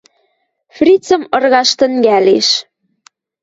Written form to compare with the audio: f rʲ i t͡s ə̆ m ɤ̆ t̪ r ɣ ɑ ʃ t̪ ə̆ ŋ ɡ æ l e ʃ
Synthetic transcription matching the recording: f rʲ i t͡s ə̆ m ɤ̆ r ɣ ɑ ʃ t̪ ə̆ ŋ ɡ æ l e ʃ